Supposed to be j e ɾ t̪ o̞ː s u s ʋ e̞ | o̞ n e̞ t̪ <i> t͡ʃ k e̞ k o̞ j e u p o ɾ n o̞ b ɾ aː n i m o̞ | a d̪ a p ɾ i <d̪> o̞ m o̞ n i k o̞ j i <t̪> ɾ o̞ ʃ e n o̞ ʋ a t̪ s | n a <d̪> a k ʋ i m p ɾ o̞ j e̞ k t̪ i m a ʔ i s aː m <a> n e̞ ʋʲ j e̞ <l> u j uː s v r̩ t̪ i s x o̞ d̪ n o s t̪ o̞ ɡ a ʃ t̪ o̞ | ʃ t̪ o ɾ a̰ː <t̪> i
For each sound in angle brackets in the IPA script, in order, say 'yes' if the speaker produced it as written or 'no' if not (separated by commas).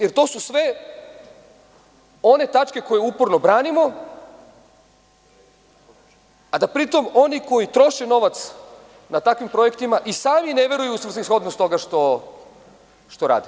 no, no, yes, no, no, no, no